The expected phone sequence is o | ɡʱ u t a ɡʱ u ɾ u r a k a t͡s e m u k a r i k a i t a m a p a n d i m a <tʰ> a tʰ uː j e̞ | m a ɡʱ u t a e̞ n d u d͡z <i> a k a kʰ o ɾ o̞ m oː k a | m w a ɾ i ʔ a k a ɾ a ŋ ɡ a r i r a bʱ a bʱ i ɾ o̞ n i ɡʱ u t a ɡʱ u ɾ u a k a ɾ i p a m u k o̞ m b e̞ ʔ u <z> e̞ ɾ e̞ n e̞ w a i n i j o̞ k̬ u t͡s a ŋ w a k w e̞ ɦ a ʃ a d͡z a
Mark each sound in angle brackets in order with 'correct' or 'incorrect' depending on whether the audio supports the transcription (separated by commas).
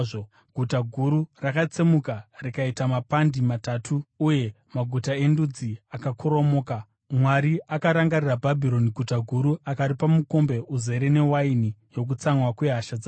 incorrect, correct, correct